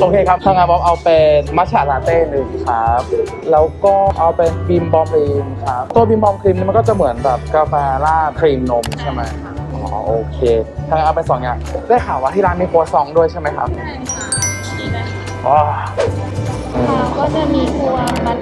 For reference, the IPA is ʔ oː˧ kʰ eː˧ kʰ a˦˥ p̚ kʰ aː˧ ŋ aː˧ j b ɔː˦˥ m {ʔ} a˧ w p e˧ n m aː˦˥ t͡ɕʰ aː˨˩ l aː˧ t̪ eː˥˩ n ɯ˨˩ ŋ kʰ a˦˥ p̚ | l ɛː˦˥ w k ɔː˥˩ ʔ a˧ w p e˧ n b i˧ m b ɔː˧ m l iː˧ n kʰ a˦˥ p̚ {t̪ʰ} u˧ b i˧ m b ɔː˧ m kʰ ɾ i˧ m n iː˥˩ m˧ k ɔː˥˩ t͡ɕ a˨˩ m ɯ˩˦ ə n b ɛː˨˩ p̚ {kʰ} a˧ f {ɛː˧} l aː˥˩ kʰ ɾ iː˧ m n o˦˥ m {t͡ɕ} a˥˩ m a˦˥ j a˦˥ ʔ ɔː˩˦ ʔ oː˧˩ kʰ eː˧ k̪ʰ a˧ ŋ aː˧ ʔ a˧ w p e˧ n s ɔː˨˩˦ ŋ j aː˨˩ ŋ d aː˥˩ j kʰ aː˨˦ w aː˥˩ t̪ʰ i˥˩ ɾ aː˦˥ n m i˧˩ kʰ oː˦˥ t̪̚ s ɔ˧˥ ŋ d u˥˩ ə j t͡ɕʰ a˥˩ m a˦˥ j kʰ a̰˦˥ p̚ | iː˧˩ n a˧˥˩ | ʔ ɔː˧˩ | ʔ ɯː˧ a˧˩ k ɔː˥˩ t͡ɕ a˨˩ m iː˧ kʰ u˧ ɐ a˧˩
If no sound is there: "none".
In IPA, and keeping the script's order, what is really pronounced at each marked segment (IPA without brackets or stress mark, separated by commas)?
ʔ, t̪, k, ɛː˧, t͡ɕʰ